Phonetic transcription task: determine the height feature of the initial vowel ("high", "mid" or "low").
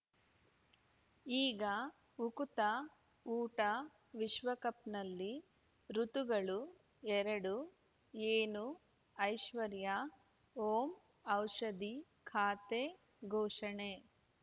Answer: high